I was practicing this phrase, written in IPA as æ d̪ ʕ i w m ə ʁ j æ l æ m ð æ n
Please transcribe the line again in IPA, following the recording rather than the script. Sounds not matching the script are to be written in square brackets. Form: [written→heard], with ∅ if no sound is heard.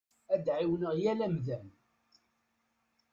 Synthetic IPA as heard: æ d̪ ʕ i w [m→n] ə ʁ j æ l æ m ð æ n